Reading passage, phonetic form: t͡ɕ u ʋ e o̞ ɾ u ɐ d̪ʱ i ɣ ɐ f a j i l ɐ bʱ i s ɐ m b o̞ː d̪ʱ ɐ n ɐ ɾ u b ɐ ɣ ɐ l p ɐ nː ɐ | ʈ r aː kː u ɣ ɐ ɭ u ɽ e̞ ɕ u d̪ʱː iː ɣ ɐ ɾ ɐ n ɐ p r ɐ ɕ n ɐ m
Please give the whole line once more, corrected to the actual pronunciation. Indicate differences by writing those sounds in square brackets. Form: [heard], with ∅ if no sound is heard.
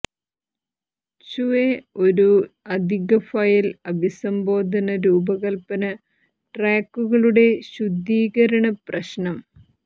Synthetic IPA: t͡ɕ u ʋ e o̞ ɾ u ɐ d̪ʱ i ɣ ɐ f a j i l ɐ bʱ i s ɐ m b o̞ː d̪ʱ ɐ n ɐ ɾ [uː] b ɐ ɣ ɐ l p ɐ [n] ɐ | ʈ r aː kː u ɣ ɐ ɭ u ɽ e̞ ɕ u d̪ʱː iː ɣ ɐ ɾ ɐ [ɳ] ɐ p r ɐ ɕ n ɐ m